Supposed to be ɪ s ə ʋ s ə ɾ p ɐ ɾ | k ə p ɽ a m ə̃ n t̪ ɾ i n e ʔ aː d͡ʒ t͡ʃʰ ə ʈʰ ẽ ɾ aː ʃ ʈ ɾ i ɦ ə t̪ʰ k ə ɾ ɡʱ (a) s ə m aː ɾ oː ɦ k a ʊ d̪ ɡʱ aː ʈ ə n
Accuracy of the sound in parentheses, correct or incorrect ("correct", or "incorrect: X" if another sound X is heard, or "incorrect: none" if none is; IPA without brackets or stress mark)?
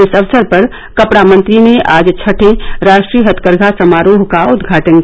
correct